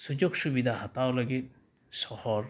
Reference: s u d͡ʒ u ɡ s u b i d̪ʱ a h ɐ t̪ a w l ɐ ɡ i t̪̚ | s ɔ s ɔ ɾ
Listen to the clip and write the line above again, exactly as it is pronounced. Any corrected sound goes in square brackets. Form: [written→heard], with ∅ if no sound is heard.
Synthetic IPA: s u d͡ʒ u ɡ s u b i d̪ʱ a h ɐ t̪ a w l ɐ ɡ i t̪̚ | s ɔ [s→h] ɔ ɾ